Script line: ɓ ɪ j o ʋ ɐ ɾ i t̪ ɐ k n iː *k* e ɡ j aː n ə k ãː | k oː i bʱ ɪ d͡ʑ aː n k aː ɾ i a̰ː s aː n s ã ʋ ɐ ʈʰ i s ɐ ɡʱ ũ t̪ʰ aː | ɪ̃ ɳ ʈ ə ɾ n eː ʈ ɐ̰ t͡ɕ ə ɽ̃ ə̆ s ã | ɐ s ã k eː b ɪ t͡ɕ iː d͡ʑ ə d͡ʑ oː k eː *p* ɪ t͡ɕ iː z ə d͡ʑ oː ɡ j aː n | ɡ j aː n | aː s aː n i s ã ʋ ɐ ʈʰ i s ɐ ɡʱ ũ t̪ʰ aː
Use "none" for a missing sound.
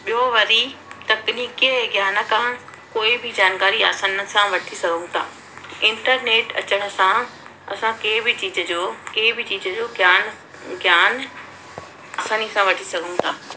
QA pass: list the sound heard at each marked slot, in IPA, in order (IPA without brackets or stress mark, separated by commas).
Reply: k, b